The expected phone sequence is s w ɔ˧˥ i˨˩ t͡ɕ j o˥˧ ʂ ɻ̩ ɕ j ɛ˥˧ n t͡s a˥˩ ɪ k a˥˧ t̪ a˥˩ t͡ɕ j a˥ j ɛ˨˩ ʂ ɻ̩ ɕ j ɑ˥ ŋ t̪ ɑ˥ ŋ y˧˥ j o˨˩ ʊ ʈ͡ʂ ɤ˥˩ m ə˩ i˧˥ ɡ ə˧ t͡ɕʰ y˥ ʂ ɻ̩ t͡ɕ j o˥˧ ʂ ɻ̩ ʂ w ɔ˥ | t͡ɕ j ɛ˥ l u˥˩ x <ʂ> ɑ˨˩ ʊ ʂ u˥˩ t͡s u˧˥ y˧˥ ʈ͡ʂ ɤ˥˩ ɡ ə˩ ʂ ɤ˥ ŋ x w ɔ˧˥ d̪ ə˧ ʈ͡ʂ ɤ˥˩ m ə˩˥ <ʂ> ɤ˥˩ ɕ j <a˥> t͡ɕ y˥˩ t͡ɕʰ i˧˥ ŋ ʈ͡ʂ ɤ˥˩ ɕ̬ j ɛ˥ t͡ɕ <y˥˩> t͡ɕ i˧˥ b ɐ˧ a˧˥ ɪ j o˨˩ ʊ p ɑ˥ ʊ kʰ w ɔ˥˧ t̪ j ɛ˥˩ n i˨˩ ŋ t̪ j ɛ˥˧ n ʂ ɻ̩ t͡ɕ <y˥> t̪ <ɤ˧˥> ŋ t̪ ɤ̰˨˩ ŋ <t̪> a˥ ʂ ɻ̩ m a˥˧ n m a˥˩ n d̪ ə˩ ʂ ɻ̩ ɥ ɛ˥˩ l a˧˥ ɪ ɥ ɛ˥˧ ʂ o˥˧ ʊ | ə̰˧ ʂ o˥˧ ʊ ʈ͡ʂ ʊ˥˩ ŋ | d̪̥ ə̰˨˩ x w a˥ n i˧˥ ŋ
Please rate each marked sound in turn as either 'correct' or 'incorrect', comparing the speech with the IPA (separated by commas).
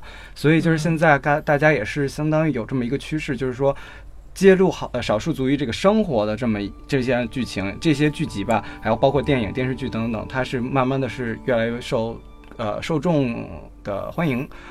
correct, incorrect, incorrect, correct, incorrect, correct, incorrect